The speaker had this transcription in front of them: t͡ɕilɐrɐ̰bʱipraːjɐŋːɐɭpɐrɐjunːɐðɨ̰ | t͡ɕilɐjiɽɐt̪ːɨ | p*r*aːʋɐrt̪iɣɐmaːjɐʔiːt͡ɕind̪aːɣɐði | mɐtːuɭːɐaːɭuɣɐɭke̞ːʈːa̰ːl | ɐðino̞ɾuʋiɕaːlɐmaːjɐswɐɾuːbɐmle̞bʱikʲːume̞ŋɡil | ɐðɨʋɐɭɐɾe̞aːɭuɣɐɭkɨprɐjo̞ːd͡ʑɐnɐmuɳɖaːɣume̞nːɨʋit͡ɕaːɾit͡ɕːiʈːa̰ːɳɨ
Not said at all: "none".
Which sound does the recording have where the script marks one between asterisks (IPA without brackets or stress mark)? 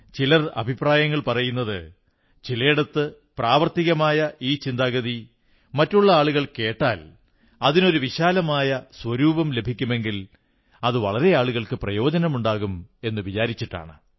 r